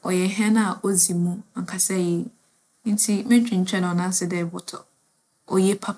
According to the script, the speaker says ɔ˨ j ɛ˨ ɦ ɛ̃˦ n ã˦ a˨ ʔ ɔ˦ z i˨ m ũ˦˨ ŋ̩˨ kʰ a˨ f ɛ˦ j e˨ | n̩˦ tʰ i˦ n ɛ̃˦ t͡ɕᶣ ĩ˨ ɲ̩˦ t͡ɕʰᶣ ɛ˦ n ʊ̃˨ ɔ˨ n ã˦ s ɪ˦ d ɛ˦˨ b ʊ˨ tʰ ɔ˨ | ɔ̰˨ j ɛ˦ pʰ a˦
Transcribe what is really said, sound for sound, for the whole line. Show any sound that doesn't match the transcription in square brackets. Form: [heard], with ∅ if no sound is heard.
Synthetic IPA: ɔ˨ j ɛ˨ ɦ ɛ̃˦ n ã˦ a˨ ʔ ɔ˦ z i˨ m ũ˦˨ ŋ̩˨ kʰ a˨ [s] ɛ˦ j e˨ | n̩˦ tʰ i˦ [m] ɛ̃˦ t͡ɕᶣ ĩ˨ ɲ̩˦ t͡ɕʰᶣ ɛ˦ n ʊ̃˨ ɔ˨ n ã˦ s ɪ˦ d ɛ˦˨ b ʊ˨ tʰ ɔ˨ | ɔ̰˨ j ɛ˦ pʰ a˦